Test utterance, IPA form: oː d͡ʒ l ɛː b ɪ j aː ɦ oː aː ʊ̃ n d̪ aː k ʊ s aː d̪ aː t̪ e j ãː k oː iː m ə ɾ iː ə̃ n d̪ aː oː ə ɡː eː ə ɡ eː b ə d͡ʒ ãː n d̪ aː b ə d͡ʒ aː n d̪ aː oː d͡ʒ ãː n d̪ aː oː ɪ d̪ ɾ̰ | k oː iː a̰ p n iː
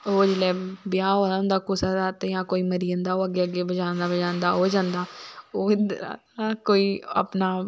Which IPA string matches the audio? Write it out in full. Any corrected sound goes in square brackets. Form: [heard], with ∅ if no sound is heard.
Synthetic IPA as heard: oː d͡ʒ l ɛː b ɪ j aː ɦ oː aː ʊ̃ n d̪ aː k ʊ s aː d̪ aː t̪ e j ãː k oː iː m ə ɾ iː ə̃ n d̪ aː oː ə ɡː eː ə ɡ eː b ə d͡ʒ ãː n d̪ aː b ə d͡ʒ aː n d̪ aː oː d͡ʒ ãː n d̪ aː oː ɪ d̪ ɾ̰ | k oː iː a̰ p n [aː]